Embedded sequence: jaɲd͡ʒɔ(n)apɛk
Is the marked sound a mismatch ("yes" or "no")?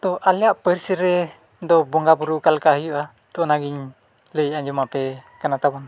yes